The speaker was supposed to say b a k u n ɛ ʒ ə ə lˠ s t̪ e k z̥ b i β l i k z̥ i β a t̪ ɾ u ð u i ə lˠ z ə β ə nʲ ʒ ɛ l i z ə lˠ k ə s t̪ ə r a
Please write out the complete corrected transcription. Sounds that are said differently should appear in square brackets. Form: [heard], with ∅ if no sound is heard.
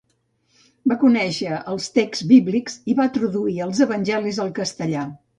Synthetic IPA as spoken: b a k u n ɛ [ʃ] ə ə lˠ s t̪ e k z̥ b i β l i k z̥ i β a t̪ ɾ u ð u i ə lˠ z ə β ə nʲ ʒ ɛ l i z ə lˠ k ə s t̪ ə [ʎ] a